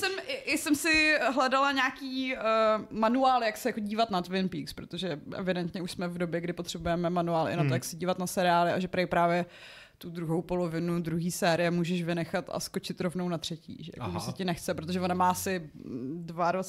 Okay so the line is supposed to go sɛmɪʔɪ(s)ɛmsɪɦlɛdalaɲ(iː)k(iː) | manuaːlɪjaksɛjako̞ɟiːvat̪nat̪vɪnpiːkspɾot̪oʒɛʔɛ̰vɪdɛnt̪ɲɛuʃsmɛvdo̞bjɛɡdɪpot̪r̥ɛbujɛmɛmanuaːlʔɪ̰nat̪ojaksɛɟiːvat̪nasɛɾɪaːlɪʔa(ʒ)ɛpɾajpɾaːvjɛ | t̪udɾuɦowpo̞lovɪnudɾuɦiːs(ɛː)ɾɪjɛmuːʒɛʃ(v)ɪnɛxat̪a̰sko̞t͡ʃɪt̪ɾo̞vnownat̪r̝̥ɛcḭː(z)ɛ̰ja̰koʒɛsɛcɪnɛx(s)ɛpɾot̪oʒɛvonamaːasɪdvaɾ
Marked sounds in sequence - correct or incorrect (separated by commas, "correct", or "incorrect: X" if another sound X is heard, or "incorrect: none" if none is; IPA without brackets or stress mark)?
correct, incorrect: aː, correct, correct, correct, correct, incorrect: ʒ, incorrect: t͡s